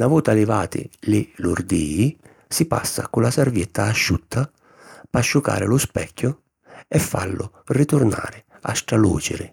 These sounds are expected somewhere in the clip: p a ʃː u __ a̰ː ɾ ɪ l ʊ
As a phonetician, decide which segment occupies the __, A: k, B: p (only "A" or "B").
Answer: A